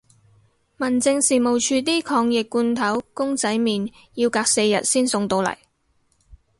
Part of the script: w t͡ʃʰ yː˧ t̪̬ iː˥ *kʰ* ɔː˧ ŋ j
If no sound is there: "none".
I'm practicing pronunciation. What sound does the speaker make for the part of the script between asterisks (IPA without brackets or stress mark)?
kʰ